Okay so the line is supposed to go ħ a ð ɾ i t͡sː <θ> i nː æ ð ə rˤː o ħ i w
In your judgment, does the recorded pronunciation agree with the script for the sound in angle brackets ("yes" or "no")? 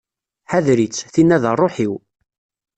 yes